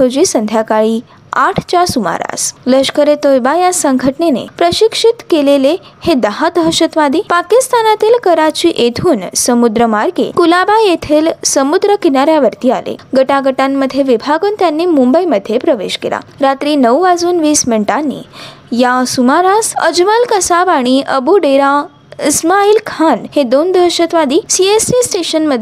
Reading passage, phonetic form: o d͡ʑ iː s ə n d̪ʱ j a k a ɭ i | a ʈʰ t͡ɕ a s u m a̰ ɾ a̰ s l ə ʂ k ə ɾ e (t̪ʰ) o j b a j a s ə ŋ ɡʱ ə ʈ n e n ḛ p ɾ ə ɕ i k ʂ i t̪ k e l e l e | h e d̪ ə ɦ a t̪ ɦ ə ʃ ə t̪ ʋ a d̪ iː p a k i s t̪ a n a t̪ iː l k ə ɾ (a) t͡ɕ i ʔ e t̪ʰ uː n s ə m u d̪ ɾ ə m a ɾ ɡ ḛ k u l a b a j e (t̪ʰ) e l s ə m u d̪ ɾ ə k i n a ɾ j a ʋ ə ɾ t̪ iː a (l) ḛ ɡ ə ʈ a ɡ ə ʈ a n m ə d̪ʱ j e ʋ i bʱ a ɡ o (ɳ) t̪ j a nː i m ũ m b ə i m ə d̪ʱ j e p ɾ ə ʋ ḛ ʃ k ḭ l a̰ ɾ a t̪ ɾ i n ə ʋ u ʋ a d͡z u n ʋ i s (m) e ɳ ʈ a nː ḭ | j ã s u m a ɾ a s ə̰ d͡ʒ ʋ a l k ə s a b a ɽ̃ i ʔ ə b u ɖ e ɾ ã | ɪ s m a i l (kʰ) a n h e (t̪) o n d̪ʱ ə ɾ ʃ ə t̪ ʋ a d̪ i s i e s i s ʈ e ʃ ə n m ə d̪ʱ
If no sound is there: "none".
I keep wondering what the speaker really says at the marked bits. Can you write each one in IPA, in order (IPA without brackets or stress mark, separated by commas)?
t̪, a, t̪ʰ, l, n, m, kʰ, d̪